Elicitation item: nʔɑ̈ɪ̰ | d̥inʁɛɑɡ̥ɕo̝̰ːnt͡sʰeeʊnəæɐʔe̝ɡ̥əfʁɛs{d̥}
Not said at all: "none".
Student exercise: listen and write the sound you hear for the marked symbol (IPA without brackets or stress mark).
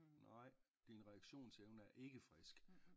ɡ̥